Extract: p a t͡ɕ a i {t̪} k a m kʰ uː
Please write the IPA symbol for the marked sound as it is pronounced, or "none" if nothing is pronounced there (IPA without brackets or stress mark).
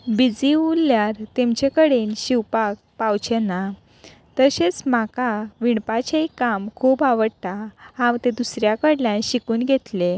none